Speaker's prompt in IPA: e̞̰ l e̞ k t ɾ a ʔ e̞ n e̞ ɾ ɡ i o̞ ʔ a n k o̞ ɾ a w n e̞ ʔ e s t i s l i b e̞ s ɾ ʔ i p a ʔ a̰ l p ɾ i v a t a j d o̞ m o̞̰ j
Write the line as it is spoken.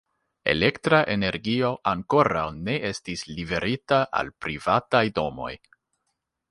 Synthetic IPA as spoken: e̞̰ l e̞ k t ɾ a ʔ e̞ n e̞ ɾ ɡ i o̞ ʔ a ŋ k o̞ ɾ a w n e̞ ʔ e s t i s l i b e̞ ɾ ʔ i t a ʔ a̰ l p ɾ i v a t a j d o̞ m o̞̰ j